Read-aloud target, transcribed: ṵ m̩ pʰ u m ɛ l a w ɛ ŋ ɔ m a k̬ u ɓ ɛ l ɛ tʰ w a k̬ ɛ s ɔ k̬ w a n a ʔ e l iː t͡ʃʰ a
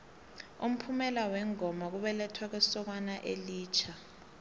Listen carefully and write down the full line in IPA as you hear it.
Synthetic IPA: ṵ m̩ pʰ u m ɛ l a w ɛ ŋ ɔ m a k̬ u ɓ ɛ l ɛ tʰ w a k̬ ɛ s ɔ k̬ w a n a ʔ e l iː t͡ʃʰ a